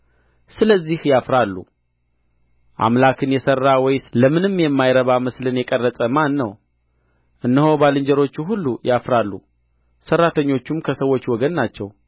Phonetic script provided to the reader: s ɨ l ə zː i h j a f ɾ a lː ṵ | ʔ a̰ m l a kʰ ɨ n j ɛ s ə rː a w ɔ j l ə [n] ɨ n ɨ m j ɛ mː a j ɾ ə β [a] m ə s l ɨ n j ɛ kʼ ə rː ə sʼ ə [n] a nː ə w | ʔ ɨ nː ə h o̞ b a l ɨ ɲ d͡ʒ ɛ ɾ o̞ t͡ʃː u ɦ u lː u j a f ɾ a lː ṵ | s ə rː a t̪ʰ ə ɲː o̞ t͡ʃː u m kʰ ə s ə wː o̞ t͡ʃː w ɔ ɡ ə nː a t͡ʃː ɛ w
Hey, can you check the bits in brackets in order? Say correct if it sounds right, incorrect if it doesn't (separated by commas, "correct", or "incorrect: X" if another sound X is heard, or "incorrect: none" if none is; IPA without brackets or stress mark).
incorrect: m, correct, incorrect: m